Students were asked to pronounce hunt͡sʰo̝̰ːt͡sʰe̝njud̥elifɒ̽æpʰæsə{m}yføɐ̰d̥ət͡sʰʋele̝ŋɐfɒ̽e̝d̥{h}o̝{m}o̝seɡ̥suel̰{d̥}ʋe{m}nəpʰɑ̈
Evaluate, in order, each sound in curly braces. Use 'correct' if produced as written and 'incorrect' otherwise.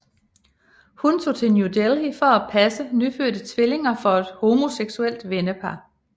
incorrect: n, correct, correct, correct, incorrect: none

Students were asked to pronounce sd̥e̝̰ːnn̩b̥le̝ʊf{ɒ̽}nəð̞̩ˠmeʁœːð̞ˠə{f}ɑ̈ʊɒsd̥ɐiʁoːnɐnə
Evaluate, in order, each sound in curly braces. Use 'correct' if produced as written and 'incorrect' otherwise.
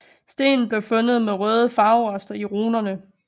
incorrect: ɔ̽, correct

